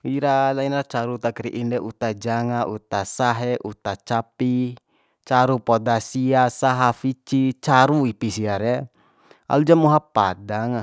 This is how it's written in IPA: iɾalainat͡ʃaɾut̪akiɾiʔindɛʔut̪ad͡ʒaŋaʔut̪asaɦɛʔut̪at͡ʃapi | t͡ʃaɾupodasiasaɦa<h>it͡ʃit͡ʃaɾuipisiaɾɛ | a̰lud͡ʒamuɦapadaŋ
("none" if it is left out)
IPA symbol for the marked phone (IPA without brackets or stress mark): f